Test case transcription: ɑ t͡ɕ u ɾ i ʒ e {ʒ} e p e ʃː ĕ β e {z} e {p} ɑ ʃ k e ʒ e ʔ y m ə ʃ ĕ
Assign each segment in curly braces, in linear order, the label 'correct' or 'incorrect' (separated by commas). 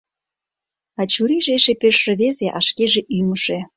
incorrect, correct, incorrect